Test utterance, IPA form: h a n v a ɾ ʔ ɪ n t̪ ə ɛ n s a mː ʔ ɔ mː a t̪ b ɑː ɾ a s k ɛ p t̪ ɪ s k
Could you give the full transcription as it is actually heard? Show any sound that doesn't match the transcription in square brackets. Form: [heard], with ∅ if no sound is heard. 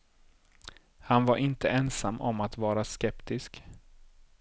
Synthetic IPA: h a n v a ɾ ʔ ɪ n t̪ ə ɛ n s a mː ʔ ɔ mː a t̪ [v] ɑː ɾ a s k ɛ p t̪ ɪ s k